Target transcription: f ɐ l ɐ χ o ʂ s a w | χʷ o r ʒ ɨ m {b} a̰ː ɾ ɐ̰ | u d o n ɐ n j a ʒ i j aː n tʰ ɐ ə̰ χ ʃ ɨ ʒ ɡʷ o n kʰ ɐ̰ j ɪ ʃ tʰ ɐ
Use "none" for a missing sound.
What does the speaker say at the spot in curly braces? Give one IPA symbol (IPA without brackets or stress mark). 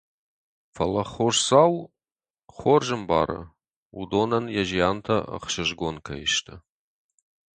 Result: b